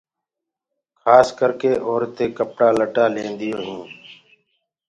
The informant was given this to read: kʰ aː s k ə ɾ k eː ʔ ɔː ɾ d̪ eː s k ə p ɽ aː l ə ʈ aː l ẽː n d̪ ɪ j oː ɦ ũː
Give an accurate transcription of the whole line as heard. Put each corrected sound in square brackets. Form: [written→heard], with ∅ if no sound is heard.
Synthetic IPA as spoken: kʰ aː s k ə ɾ k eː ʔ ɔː ɾ [d̪→t̪] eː [s→∅] k ə p ɽ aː l ə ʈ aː l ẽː n d̪ ɪ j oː ɦ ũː